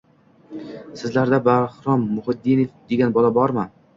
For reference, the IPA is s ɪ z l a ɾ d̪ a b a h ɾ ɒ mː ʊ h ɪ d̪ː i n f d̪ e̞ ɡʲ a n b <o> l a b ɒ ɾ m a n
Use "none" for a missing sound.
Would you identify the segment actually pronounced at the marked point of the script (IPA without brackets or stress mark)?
ɒ